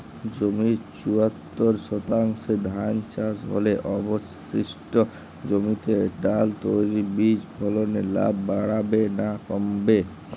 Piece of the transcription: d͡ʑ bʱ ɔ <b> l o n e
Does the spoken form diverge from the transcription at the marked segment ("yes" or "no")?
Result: yes